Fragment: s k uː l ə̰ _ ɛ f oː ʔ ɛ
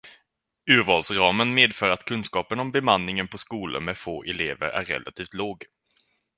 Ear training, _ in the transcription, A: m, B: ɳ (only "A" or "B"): A